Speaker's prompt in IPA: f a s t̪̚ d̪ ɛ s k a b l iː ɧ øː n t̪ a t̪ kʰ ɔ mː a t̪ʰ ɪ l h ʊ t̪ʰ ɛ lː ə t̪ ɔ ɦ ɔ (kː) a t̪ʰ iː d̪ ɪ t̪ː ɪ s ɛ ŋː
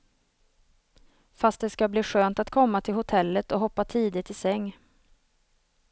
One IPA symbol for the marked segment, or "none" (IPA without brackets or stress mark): pː